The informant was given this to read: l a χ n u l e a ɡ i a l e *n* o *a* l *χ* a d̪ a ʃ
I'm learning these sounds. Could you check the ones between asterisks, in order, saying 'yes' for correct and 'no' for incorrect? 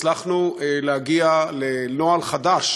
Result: yes, yes, yes

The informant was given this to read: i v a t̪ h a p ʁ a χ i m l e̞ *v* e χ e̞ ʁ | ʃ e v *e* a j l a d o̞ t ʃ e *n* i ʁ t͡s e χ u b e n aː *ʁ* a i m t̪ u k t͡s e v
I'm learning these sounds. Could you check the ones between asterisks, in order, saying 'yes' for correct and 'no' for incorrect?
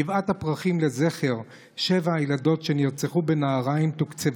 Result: no, no, yes, yes

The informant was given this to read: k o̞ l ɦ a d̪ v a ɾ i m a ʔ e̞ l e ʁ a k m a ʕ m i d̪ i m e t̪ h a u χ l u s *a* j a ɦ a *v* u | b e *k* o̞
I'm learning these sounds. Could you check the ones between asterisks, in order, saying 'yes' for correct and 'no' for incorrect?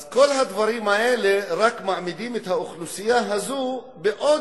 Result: no, no, no

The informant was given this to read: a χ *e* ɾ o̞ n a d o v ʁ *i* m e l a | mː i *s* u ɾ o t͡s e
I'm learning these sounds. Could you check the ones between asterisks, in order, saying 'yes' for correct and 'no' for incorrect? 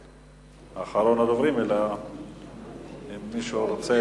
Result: no, yes, no

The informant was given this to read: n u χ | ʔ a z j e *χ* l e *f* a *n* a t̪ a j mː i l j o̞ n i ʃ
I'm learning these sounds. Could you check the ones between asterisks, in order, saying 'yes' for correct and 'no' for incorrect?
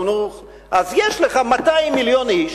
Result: no, no, no

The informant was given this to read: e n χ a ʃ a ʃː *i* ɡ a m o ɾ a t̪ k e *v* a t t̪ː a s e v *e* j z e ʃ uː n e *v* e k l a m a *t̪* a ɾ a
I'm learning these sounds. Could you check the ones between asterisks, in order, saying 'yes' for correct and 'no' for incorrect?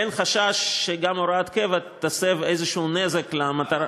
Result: no, yes, yes, no, yes

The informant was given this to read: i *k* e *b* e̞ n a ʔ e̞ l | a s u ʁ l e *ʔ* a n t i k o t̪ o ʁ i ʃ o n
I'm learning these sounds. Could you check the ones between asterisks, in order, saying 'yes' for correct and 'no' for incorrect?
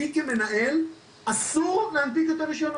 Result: yes, no, no

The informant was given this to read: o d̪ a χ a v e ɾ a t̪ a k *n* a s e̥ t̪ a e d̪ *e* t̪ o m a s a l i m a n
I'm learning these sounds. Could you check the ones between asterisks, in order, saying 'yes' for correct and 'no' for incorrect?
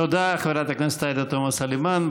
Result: yes, no

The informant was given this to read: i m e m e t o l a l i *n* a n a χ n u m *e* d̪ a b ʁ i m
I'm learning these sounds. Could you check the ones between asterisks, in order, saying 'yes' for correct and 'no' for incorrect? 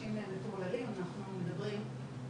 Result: no, yes

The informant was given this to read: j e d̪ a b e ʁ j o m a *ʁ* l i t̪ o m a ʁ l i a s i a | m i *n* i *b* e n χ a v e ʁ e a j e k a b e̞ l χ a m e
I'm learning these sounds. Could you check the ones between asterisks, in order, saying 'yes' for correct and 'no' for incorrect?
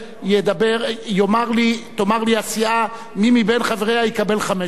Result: yes, no, yes

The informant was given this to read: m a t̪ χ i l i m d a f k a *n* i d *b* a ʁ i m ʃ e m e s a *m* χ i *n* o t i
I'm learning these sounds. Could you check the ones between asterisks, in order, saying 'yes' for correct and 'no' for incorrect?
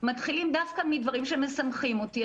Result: no, no, yes, no

